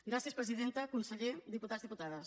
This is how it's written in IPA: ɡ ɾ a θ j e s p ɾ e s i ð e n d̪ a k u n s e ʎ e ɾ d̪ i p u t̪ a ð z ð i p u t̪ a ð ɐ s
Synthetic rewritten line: ɡ ɾ a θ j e s p ɾ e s i ð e n t̪ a k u n s e ʎ e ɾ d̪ i p u t̪ a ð z ð i p u t̪ a ð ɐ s